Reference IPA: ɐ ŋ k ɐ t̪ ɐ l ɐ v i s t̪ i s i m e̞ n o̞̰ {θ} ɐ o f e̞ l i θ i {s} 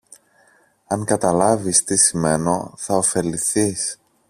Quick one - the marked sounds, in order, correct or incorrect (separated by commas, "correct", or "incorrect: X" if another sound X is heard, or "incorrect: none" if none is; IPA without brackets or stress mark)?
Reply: correct, correct